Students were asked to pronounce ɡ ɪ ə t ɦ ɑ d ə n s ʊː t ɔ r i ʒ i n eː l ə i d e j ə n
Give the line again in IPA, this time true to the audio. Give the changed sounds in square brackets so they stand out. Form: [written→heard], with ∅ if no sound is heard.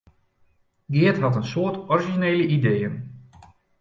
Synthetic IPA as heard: ɡ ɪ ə t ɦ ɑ [d→t] ə n s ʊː t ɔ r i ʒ i n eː l ə i d e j ə n